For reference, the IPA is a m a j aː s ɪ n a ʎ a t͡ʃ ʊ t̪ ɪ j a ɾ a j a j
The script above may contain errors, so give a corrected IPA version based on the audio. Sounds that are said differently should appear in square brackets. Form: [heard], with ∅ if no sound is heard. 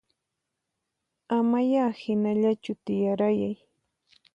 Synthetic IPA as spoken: a m a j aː [h] ɪ n a ʎ a t͡ʃ ʊ t̪ ɪ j a ɾ a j a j